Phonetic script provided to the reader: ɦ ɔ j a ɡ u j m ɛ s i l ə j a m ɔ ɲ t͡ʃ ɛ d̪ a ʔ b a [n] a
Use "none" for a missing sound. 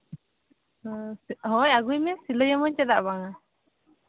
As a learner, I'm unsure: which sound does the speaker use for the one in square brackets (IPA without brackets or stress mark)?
ŋ